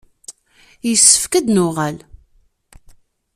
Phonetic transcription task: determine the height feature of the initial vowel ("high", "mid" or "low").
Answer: mid